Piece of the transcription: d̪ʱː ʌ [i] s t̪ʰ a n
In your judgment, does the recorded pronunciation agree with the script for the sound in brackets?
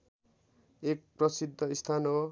yes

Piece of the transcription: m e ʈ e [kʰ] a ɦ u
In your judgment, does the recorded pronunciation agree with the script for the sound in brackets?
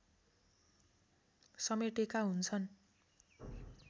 no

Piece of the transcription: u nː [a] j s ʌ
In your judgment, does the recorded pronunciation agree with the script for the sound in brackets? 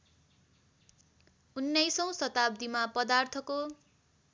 no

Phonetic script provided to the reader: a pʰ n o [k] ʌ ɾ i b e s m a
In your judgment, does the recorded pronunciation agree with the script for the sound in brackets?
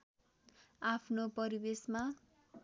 no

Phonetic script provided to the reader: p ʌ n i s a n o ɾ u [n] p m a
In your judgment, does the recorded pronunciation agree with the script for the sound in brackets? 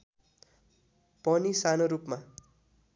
no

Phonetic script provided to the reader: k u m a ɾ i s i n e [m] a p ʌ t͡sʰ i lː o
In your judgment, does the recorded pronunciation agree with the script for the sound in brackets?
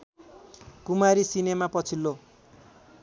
yes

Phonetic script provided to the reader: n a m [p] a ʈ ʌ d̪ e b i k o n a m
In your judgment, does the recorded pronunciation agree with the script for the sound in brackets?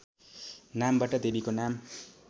no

